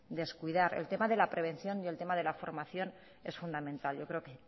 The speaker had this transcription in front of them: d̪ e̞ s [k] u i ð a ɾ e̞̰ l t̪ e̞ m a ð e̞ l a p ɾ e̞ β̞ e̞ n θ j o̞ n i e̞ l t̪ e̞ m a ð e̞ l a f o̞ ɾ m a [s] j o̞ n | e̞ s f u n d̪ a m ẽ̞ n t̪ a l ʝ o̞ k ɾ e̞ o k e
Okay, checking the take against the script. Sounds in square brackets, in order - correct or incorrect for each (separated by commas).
correct, incorrect